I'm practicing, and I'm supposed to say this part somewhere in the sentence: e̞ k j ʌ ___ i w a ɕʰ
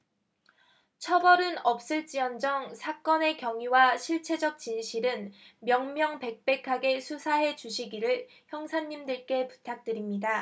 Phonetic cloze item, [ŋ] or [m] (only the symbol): ŋ